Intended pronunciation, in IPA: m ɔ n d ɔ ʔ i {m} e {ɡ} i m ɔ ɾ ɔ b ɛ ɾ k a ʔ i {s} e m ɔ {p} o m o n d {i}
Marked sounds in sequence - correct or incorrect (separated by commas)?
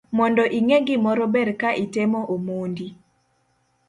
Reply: incorrect, correct, incorrect, incorrect, correct